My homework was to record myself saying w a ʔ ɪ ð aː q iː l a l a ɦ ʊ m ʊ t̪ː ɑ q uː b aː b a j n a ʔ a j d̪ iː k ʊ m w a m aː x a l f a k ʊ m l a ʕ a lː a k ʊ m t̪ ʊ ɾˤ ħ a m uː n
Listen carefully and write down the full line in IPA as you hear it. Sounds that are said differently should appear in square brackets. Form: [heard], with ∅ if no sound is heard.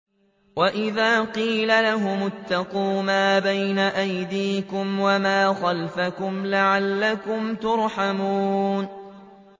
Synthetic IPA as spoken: w a ʔ ɪ ð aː q iː l a l a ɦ ʊ m ʊ t̪ː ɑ q uː [m] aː b a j n a ʔ a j d̪ iː k ʊ m w a m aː x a l f a k ʊ m l a ʕ a lː a k ʊ m t̪ ʊ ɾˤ ħ a m uː n